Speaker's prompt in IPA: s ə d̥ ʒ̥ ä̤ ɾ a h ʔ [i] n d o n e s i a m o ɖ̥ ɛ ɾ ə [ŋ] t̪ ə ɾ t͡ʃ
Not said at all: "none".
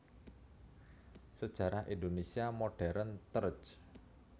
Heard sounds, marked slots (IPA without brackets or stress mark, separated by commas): i, n